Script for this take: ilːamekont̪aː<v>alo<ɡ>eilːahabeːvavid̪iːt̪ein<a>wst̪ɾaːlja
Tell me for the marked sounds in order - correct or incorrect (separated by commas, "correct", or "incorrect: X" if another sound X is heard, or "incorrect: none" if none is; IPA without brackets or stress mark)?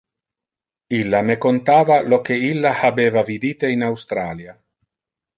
correct, incorrect: k, correct